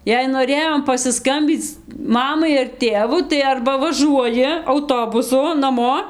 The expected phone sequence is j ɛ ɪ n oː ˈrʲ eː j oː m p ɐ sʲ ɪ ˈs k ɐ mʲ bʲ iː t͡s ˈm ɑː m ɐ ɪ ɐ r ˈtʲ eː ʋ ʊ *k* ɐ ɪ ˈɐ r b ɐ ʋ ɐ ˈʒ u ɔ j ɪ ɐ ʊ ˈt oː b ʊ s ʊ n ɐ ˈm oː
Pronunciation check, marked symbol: incorrect: t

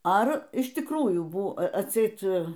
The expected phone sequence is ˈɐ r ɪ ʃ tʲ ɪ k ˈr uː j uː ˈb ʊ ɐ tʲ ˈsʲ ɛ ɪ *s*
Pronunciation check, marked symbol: incorrect: t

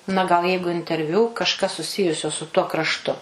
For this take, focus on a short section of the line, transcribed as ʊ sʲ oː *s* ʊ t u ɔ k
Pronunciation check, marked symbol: correct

